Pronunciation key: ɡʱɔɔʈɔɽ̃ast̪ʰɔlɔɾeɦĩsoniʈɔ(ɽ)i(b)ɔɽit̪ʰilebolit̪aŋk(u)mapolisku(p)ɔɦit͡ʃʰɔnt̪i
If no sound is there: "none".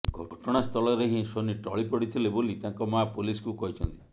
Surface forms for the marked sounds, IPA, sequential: ɭ, p, ɔ, k

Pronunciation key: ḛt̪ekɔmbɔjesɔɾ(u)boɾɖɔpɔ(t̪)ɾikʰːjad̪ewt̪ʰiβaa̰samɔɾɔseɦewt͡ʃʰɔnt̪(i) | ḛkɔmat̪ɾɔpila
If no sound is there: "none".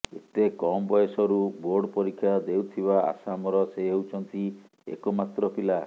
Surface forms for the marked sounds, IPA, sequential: u, none, i

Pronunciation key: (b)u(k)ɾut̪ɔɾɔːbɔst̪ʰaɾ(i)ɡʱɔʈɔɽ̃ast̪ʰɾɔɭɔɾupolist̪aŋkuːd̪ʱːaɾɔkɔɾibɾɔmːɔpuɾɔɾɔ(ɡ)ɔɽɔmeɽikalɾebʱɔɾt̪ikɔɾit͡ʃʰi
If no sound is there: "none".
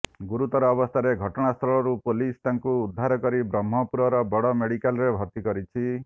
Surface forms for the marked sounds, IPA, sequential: ɡ, none, e, b

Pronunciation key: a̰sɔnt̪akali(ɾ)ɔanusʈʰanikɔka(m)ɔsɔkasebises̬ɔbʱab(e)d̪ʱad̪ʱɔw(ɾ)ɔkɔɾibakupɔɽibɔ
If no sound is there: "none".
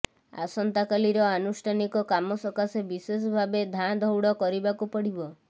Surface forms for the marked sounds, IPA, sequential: ɾ, m, e, ɽ

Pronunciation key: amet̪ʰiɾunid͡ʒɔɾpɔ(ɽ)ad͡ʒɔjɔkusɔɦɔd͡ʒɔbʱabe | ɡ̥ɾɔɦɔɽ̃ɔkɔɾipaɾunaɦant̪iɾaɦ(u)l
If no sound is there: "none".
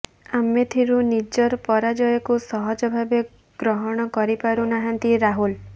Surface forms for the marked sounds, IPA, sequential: ɾ, u

